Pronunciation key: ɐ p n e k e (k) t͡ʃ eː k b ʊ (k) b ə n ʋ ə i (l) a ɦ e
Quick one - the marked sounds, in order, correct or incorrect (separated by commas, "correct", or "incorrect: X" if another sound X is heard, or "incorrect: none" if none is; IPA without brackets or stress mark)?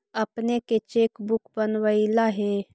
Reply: incorrect: none, correct, correct